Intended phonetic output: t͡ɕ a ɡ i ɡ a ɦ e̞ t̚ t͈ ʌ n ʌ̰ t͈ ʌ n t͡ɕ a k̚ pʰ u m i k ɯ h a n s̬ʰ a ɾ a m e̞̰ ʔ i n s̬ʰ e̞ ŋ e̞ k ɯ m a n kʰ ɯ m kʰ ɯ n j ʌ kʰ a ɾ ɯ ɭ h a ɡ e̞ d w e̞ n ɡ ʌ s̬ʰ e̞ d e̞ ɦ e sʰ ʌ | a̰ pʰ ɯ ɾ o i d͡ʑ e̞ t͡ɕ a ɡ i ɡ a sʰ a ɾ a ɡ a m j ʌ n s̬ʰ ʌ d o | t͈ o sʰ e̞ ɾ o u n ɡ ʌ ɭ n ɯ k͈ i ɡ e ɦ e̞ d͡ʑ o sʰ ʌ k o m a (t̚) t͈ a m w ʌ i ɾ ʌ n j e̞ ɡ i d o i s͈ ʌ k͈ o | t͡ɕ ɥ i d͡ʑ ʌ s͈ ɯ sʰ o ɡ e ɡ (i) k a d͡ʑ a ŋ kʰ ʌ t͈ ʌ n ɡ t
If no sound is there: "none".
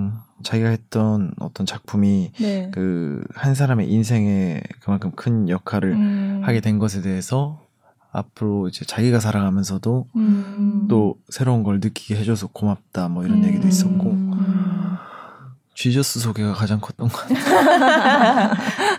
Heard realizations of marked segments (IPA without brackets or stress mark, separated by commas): p̚, a